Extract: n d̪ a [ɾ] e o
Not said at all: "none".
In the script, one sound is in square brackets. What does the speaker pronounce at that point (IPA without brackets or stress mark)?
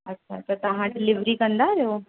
ɾ